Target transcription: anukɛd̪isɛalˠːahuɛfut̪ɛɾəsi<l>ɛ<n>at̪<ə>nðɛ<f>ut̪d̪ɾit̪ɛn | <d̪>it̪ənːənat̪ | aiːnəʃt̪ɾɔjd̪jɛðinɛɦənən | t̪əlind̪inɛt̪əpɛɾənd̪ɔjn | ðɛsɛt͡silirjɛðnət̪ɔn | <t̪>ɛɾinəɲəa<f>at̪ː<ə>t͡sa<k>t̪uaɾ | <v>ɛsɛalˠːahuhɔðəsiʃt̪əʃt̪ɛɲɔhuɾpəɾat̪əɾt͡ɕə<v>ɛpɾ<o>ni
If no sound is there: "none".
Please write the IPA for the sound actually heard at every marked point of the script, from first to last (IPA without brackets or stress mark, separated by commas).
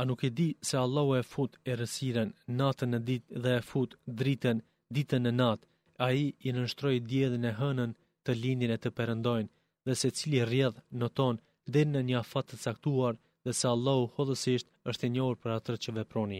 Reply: ɾ, nː, ə, f, d̪, d̪, f, ə, k, ð, v, ɔ